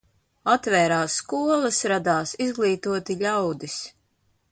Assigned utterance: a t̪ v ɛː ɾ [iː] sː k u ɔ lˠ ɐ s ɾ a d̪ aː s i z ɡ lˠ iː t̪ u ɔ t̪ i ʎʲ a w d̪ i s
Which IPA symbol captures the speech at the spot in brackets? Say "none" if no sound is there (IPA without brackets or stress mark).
aː